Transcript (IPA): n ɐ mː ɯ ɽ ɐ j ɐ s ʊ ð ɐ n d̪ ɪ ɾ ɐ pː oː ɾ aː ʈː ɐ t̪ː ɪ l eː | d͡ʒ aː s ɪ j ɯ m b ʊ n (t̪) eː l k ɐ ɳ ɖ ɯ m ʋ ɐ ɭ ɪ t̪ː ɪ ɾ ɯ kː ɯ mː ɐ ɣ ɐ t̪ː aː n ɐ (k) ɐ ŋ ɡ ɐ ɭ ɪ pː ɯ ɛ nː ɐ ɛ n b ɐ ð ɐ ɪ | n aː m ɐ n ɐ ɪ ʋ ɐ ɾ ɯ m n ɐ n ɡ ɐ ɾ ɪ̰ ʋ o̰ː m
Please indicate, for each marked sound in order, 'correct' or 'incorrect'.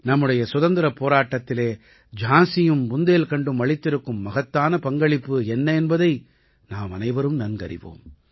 incorrect: d̪, incorrect: p

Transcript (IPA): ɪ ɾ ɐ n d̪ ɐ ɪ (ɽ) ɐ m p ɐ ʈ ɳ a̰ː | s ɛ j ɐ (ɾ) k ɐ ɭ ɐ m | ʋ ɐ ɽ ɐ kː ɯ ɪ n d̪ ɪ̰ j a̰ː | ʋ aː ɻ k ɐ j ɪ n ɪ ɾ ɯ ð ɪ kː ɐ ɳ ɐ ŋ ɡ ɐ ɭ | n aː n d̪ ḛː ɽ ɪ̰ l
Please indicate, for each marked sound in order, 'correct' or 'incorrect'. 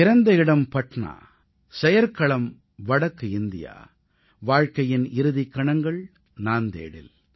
correct, correct

